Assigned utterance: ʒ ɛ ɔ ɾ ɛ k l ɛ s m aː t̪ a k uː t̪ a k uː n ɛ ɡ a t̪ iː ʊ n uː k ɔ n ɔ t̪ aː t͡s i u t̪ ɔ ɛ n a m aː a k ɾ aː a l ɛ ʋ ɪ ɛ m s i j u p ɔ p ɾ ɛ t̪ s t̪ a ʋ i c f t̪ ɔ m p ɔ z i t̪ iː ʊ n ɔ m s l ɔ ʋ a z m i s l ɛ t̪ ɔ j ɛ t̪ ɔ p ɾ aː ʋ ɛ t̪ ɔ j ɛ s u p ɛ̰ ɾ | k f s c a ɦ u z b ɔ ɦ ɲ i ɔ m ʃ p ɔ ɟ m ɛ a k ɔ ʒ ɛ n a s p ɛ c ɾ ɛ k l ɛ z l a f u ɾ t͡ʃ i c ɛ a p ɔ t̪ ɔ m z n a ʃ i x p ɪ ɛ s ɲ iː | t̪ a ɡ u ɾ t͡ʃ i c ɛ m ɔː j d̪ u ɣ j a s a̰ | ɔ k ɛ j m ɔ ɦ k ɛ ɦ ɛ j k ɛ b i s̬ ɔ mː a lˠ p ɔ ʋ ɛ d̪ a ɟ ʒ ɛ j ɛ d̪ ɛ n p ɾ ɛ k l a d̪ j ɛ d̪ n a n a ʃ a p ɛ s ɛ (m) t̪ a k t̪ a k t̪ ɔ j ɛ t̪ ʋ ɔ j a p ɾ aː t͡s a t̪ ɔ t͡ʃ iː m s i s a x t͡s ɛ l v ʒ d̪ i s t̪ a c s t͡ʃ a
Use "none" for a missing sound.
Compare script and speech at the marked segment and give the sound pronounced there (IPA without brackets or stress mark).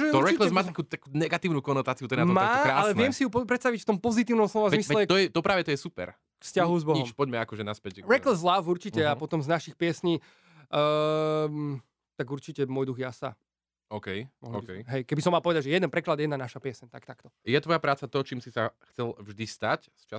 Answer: ɲ